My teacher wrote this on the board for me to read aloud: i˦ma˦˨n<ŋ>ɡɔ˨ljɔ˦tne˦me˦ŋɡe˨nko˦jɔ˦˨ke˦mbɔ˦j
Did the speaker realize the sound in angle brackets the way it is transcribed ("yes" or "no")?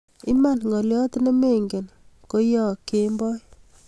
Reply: yes